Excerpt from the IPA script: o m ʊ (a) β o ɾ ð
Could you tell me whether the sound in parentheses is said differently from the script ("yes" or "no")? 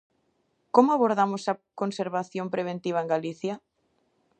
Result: no